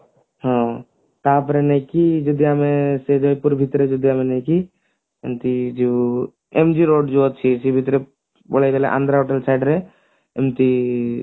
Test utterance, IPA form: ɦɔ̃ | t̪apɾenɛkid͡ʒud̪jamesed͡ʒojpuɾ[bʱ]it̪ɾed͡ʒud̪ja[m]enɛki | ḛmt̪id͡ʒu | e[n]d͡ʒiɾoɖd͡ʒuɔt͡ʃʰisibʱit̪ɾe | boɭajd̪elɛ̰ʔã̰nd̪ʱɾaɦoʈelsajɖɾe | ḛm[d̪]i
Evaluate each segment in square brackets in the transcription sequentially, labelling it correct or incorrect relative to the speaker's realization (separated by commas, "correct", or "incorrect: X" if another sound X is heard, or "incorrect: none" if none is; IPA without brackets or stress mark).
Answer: correct, correct, incorrect: m, incorrect: t̪